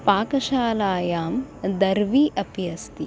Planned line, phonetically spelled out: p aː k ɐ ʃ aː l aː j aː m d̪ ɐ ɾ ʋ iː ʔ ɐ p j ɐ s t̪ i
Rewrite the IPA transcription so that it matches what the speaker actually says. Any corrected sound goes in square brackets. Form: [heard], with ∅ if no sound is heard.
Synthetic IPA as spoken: p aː k ɐ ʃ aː l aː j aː m d̪ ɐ ɾ ʋ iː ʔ ɐ p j ɐ s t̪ i